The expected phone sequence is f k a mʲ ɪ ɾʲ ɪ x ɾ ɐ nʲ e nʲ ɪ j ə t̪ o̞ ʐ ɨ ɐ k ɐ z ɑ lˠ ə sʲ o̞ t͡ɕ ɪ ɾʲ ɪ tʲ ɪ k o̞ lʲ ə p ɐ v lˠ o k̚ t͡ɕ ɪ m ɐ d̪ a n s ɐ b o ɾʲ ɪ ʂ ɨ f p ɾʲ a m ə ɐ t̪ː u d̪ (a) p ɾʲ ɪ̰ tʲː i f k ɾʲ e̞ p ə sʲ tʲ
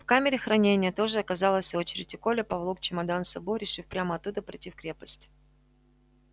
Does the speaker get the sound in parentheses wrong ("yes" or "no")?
yes